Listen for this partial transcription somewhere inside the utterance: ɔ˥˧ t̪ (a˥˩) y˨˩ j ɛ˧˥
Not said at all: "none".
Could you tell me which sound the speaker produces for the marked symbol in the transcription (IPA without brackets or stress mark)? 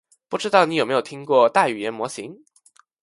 a˥˩